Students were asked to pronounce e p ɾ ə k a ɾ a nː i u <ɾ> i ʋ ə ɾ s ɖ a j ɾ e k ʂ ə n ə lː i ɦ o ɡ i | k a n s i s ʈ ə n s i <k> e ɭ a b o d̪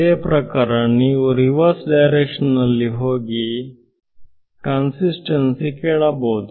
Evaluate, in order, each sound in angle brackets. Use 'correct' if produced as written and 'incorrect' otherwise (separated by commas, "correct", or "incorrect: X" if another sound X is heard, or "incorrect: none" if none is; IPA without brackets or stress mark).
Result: correct, correct